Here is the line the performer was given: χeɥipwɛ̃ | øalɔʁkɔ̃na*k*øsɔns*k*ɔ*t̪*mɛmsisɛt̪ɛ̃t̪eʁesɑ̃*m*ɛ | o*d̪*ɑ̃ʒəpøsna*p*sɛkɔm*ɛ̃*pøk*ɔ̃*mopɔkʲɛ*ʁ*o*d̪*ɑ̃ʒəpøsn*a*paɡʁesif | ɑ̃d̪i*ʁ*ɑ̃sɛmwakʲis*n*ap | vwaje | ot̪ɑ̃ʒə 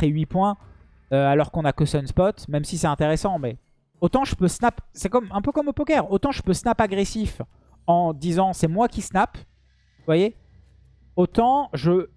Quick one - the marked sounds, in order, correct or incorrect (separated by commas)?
correct, incorrect, correct, correct, incorrect, correct, correct, incorrect, correct, incorrect, correct, incorrect, correct